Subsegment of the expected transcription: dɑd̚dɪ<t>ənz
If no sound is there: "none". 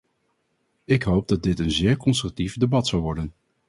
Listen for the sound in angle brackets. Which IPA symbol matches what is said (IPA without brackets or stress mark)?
t